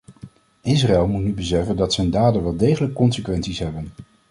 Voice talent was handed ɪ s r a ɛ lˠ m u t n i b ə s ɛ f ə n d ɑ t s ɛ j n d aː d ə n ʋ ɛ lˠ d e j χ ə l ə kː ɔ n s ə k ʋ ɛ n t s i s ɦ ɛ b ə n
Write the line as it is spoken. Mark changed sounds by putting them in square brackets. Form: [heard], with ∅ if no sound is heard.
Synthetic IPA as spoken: ɪ s r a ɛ lˠ m u t n [y] b ə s ɛ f ə n d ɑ t s ɛ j n d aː d ə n ʋ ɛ lˠ d e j χ ə l ə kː ɔ n s ə k ʋ ɛ n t s i s ɦ ɛ b ə n